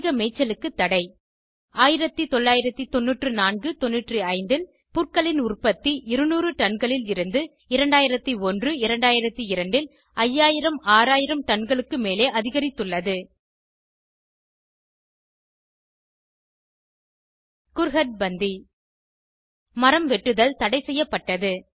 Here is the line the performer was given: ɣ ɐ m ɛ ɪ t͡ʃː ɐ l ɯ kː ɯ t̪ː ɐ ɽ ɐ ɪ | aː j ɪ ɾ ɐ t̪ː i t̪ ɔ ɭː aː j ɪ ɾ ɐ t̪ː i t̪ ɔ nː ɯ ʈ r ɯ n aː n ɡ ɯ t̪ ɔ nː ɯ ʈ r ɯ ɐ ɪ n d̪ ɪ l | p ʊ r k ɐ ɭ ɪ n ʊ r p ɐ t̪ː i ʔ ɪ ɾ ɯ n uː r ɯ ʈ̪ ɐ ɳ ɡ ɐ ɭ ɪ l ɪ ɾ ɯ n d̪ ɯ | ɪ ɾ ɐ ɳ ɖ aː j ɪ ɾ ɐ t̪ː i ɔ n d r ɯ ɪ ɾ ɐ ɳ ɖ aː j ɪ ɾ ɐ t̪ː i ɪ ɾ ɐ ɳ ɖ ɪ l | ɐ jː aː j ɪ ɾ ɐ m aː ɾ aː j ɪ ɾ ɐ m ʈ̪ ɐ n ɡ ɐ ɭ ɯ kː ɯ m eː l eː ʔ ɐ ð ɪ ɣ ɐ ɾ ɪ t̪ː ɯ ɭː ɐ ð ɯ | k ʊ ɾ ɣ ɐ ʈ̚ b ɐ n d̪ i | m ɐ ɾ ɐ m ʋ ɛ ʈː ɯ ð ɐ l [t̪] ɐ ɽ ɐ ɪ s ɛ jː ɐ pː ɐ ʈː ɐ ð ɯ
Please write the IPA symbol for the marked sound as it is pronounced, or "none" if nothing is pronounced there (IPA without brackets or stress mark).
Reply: t̪